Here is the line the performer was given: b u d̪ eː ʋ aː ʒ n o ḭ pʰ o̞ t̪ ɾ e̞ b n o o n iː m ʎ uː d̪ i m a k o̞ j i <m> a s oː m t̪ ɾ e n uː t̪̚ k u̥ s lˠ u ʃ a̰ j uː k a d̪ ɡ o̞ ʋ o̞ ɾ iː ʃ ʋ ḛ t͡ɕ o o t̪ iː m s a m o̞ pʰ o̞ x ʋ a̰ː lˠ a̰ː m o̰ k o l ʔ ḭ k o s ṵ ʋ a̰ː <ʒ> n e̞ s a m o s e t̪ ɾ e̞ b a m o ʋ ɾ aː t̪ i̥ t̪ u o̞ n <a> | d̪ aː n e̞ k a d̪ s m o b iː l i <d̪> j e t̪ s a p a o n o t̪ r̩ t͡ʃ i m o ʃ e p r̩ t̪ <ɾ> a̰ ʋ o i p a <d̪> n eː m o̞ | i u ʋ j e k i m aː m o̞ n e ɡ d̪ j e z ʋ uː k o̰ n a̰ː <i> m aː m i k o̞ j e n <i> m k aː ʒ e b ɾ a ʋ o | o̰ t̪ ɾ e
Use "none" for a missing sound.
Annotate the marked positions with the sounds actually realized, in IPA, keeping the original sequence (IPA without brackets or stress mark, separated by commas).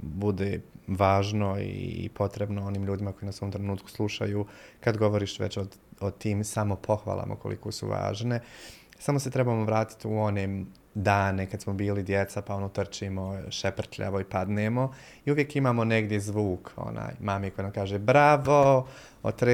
n, ʒ, e, d̪, ʎ, d̪, j, a